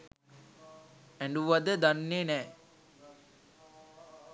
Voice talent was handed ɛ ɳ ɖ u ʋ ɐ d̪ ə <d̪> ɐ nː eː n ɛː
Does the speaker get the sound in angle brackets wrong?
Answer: no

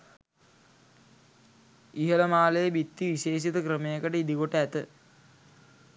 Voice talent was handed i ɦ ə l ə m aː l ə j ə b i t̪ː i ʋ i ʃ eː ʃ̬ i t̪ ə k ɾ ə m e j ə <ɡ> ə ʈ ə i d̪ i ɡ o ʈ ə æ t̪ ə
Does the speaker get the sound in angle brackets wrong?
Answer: yes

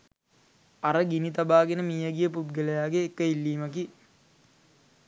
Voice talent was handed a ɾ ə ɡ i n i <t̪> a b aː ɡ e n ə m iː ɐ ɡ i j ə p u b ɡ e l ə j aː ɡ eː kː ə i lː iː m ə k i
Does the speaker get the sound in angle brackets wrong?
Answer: no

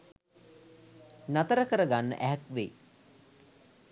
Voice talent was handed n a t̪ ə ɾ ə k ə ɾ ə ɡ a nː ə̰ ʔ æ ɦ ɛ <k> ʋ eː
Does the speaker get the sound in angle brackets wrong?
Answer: no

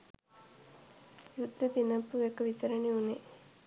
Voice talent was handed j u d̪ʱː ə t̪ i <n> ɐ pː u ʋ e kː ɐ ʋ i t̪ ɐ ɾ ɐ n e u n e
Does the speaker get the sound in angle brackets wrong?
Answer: no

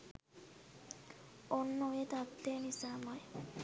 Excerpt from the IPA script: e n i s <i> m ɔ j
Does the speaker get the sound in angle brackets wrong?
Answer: yes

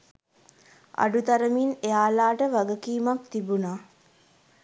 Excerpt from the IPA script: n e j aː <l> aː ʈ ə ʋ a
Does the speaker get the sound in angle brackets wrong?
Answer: no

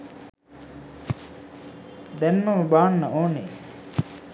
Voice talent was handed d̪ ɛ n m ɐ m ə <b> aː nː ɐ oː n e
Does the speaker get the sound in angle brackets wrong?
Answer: no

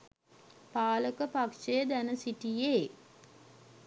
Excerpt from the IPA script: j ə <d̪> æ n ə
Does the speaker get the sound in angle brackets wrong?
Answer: no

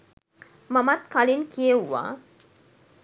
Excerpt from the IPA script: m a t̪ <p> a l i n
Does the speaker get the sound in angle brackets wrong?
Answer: yes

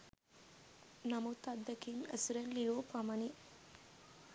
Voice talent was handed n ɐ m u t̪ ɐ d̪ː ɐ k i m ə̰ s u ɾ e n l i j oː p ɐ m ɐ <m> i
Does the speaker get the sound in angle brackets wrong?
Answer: yes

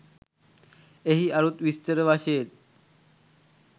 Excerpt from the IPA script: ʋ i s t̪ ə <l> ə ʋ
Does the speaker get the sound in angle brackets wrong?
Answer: yes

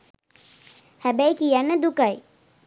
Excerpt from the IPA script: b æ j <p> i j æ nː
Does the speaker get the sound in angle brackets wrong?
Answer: yes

